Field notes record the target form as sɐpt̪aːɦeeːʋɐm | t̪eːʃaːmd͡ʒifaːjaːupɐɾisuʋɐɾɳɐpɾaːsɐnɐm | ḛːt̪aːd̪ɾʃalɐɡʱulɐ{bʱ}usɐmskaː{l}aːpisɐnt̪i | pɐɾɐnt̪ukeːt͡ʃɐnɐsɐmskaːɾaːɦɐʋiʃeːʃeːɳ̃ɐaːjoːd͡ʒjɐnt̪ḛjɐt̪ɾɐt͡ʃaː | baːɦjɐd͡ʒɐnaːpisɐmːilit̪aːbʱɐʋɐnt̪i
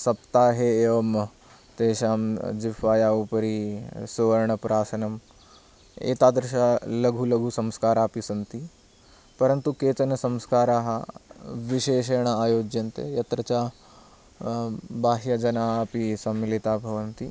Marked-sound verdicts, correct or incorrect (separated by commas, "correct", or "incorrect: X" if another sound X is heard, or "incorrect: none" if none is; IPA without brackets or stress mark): incorrect: ɡʱ, incorrect: ɾ